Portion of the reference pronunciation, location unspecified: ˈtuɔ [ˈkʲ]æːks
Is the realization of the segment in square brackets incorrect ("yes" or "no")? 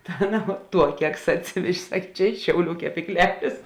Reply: no